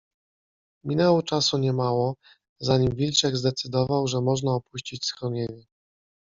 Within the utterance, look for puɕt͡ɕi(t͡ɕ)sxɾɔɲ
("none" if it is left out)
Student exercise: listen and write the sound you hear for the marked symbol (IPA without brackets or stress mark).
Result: t͡ɕ